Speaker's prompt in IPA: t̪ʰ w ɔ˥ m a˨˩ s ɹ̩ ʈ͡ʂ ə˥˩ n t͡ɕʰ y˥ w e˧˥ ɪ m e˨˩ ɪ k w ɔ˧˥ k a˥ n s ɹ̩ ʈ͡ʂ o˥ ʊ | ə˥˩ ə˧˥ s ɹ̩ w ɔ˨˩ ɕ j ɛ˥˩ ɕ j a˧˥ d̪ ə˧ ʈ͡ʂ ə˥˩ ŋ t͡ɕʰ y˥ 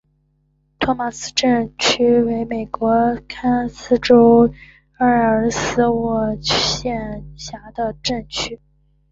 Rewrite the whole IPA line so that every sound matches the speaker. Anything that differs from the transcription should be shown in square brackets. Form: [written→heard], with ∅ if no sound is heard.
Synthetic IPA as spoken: t̪ʰ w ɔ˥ m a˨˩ s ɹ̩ ʈ͡ʂ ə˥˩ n t͡ɕʰ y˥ w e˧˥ ɪ m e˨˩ ɪ k w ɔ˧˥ [k→kʰ] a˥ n s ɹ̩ ʈ͡ʂ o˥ ʊ | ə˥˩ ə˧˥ s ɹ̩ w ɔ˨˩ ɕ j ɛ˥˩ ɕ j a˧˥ d̪ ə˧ ʈ͡ʂ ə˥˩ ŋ t͡ɕʰ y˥